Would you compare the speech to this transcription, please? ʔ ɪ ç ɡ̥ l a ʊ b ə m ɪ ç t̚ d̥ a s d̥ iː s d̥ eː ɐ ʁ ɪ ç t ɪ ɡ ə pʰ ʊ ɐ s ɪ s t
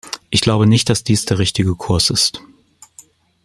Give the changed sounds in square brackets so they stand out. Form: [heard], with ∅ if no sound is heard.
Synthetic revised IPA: ʔ ɪ ç ɡ̥ l a ʊ b ə [n] ɪ ç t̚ d̥ a s d̥ iː s d̥ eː ɐ ʁ ɪ ç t ɪ ɡ ə [kʰ] ʊ ɐ s ɪ s t